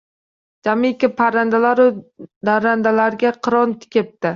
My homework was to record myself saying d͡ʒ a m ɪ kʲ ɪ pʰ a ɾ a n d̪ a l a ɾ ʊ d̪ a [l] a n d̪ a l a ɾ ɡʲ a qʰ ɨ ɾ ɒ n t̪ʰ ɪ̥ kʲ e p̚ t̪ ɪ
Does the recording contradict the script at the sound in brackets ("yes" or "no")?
yes